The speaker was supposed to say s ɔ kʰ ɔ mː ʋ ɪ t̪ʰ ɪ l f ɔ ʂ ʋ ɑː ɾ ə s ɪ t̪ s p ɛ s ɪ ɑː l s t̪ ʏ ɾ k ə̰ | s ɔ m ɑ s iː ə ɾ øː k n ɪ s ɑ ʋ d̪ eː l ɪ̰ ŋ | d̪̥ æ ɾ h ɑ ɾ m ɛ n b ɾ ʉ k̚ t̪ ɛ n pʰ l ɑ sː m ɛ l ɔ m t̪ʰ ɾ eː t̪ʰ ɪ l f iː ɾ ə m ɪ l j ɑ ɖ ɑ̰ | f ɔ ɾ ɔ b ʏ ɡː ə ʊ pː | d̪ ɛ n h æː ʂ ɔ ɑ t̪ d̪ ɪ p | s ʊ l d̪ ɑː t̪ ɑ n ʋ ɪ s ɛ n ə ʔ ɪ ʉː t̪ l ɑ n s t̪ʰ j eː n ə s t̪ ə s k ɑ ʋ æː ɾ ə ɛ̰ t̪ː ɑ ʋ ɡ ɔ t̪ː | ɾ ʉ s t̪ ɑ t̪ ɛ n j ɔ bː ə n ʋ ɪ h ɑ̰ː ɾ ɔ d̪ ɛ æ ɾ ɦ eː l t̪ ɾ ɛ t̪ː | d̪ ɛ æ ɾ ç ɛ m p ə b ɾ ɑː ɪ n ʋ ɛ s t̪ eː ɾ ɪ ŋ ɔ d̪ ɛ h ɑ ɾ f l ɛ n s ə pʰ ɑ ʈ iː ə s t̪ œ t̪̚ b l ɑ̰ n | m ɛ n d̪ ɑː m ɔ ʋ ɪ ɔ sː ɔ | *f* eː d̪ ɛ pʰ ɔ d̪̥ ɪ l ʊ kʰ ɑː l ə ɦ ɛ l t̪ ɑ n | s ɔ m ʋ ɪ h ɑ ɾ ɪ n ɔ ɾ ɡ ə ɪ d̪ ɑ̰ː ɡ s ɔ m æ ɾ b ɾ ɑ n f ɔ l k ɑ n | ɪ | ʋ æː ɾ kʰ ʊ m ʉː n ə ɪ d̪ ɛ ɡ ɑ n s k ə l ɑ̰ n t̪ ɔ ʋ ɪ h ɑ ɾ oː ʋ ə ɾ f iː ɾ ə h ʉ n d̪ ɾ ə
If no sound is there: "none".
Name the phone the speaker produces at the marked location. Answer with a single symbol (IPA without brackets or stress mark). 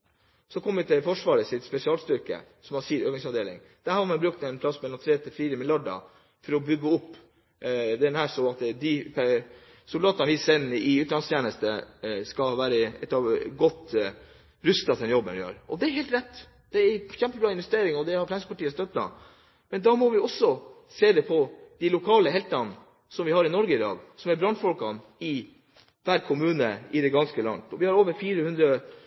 s